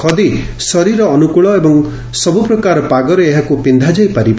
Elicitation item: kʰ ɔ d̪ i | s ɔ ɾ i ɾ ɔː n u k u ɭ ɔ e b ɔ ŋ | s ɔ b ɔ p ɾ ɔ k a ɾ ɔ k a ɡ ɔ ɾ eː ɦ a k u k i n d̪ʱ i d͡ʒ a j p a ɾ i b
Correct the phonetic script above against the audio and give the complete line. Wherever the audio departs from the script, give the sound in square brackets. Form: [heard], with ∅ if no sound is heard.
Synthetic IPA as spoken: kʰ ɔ d̪ i | s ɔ ɾ i ɾ ɔː n u k u ɭ ɔ e b ɔ ŋ | s ɔ b [u] p ɾ ɔ k a ɾ ɔ [p] a ɡ ɔ ɾ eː ɦ a k u [p] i n d̪ʱ [a] d͡ʒ a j p a ɾ i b